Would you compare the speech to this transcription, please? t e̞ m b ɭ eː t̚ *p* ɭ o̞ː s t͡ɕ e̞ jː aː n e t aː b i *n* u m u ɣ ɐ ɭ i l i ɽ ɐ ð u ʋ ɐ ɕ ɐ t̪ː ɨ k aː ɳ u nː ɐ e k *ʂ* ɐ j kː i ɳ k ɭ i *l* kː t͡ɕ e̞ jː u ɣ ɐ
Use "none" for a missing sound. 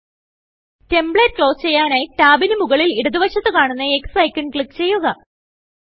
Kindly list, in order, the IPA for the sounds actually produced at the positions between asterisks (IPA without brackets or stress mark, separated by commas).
k, n, s, none